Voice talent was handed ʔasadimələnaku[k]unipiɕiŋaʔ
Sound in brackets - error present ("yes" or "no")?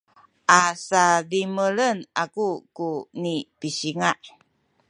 no